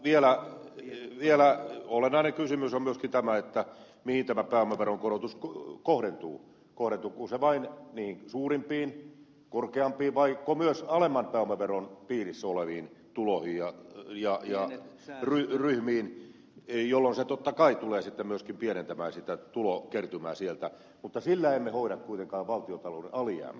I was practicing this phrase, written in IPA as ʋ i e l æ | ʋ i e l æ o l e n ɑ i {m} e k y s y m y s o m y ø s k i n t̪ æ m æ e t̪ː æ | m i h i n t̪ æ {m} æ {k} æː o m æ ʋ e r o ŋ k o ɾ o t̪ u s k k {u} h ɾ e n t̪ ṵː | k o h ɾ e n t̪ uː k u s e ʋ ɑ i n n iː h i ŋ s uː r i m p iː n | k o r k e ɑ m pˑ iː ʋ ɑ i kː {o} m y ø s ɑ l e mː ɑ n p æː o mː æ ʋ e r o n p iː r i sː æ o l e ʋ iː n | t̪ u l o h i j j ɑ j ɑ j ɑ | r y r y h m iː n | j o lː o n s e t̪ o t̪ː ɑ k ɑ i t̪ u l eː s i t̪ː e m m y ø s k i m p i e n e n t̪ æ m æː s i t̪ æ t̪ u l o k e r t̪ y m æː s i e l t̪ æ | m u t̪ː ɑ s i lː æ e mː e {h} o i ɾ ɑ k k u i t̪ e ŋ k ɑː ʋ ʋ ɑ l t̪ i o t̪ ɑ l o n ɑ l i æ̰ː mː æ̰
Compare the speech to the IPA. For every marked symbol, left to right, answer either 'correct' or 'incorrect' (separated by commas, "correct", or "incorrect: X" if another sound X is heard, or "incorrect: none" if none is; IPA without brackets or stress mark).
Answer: incorrect: n, correct, incorrect: p, incorrect: o, correct, correct